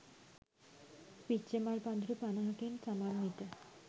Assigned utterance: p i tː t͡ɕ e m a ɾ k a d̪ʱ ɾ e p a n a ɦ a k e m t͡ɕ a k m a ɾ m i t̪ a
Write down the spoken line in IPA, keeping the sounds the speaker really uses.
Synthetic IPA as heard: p i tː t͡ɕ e m a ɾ p a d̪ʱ ɾ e p a n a ɦ a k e n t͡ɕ a m a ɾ m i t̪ a